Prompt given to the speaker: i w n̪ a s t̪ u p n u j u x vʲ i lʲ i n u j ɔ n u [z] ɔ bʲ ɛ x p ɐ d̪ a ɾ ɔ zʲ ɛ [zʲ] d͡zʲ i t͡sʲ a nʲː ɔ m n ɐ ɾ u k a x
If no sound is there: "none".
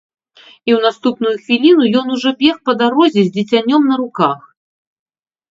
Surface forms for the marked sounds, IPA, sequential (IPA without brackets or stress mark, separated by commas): ʐ, zʲ